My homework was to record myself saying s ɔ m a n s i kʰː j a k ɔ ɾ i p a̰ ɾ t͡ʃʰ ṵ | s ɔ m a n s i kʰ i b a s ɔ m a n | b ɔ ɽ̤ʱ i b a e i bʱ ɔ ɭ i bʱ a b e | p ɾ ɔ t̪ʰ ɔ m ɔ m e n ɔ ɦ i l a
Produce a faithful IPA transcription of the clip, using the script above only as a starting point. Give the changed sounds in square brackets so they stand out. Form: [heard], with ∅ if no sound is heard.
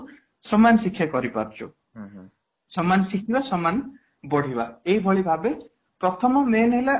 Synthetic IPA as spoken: s ɔ m a n s i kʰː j a k ɔ ɾ i p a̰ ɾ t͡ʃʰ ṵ | s ɔ m a n s i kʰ i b a s ɔ m a n | b ɔ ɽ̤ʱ i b a e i bʱ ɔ ɭ i bʱ a b e | p ɾ ɔ t̪ʰ ɔ m ɔ m e n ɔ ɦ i l a